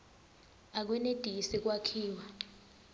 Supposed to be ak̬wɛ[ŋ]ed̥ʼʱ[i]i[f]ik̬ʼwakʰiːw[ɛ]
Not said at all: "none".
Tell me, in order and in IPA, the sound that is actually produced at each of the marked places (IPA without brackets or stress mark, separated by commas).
n, i, s, a